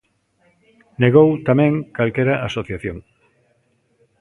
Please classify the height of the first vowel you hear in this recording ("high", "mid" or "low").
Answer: mid